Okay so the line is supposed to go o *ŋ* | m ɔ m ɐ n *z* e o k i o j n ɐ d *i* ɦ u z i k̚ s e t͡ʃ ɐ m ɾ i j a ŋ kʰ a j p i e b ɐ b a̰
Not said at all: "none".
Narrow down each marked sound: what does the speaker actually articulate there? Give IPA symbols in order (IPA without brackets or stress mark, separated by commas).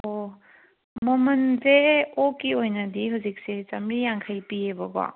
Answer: none, z, i